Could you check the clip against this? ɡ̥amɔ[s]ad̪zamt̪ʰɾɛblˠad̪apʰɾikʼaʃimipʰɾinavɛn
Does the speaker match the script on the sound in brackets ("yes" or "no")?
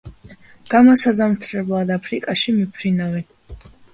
yes